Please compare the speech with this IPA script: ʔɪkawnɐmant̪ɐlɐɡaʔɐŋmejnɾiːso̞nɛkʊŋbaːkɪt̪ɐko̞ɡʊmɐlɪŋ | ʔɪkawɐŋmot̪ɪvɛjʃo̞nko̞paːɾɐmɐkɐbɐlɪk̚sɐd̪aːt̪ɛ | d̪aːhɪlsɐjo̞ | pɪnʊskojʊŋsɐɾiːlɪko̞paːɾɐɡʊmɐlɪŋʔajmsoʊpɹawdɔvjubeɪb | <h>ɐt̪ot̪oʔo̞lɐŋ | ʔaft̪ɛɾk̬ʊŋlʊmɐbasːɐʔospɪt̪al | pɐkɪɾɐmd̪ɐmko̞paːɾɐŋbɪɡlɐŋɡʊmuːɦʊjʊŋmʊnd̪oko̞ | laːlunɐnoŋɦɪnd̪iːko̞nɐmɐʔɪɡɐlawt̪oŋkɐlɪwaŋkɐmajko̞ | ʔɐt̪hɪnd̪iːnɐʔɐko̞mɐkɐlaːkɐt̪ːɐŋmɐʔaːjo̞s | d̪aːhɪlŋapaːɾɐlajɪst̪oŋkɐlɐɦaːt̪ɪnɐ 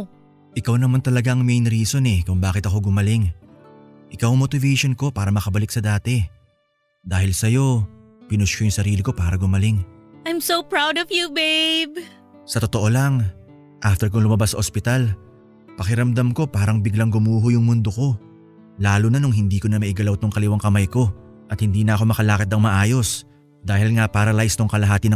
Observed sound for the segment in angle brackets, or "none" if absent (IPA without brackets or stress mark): s